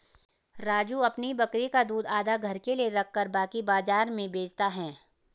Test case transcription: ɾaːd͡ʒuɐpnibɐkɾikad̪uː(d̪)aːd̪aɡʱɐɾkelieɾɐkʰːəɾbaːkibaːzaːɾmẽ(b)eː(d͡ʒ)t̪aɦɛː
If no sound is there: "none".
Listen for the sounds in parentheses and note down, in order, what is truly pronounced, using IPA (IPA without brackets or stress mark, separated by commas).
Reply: d̪, b, d͡ʒ